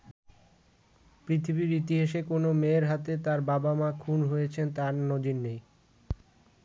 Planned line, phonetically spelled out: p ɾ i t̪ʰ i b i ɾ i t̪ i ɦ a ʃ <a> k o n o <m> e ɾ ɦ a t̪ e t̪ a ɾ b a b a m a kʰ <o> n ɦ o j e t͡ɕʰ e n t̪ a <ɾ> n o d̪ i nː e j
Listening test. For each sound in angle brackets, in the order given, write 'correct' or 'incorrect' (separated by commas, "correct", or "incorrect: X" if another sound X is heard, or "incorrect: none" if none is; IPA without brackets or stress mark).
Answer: incorrect: e, correct, incorrect: u, correct